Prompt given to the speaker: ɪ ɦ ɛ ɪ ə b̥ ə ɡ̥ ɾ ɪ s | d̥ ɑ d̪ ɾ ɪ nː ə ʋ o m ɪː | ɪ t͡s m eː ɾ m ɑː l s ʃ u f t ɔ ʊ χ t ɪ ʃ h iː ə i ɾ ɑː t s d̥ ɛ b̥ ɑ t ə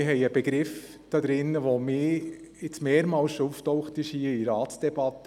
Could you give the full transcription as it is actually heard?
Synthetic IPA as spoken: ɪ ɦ ɛ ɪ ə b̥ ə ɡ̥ ɾ ɪ f | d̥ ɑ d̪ ɾ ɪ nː ə ʋ o m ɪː | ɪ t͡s m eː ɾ m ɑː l s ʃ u f t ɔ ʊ χ t ɪ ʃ h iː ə i ɾ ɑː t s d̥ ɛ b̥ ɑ t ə